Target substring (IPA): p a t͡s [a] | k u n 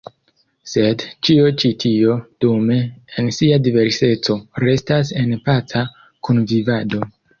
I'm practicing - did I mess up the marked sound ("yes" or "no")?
no